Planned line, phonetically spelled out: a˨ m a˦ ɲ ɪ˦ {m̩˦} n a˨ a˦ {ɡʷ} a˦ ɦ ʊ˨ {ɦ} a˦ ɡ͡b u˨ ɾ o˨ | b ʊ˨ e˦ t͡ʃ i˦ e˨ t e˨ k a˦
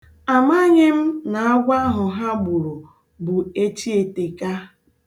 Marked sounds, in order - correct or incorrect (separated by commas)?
correct, correct, correct